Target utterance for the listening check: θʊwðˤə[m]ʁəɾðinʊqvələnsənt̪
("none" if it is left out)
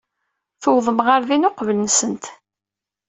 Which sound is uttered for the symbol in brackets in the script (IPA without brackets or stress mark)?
m